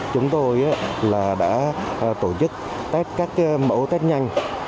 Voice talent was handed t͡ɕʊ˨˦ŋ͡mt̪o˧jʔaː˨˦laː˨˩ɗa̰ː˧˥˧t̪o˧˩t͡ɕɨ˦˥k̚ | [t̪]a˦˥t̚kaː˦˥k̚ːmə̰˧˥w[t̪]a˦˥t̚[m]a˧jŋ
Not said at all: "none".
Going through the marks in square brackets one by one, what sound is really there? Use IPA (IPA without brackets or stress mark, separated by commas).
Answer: t̪, t̪, ɲ